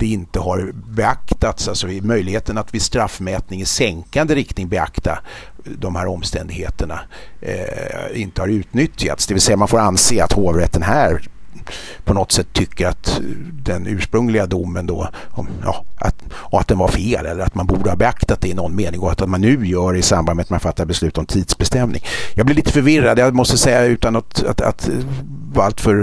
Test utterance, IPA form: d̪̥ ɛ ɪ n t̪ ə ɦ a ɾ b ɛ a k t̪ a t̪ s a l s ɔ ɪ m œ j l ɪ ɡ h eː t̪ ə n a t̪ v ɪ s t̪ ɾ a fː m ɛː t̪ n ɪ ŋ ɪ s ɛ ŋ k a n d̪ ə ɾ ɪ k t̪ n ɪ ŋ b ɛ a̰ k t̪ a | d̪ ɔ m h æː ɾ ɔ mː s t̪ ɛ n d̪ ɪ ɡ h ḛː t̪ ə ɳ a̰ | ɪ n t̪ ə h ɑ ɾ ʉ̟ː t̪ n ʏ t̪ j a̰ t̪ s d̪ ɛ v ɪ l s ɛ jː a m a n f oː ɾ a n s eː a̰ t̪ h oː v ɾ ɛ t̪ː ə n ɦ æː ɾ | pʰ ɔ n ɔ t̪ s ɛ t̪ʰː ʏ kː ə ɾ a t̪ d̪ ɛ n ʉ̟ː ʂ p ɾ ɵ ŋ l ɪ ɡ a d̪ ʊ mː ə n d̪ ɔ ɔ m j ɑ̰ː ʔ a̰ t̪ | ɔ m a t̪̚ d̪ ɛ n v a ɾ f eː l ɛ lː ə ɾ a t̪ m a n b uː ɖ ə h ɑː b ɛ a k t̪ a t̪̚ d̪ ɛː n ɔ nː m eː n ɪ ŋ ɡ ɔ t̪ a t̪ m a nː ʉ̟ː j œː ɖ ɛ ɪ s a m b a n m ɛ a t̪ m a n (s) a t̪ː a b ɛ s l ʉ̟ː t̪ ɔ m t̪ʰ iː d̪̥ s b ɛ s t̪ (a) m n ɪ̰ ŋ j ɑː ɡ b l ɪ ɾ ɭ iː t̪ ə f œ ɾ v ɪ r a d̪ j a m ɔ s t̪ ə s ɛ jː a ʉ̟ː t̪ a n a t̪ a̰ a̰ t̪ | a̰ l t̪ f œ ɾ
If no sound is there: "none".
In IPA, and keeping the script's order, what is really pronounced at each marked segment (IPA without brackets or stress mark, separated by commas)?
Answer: f, ɛ